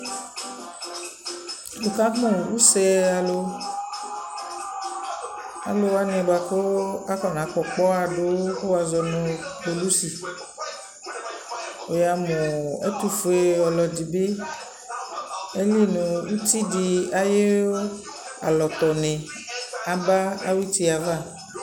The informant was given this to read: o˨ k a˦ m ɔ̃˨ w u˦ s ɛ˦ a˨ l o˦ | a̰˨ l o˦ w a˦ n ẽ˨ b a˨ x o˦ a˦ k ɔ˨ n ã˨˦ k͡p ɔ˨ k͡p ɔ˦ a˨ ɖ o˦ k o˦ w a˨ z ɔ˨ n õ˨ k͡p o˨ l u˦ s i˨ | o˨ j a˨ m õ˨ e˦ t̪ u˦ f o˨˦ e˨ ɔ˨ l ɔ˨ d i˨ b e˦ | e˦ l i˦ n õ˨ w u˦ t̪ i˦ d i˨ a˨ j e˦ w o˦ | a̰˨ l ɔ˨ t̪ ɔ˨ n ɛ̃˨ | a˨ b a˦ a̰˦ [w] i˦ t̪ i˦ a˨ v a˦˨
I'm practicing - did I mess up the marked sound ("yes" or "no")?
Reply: no